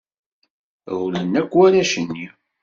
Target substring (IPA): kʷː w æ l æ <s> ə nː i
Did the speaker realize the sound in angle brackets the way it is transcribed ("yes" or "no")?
no